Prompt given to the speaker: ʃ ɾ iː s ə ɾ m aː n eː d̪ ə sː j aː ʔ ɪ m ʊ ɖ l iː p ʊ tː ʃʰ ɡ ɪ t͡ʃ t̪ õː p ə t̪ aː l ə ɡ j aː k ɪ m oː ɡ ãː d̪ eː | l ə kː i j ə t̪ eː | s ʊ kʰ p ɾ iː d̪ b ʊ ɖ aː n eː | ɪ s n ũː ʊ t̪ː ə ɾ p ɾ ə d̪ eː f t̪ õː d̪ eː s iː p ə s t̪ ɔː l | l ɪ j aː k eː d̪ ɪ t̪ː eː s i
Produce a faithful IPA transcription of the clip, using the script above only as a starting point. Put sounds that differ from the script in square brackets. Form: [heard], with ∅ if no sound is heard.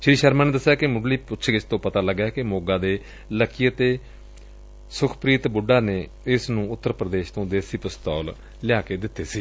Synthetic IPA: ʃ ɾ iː [ʃ] ə ɾ m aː n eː d̪ ə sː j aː [k] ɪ m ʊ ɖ l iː p ʊ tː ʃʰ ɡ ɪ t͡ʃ t̪ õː p ə t̪ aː l ə ɡ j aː k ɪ m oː ɡ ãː d̪ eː | l ə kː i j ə t̪ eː | s ʊ kʰ p ɾ iː [t̪] b ʊ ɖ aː n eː | ɪ s n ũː ʊ t̪ː ə ɾ p ɾ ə d̪ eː [ʃ] t̪ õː d̪ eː s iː p ə s t̪ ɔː l | l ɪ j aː k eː d̪ ɪ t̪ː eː s [iː]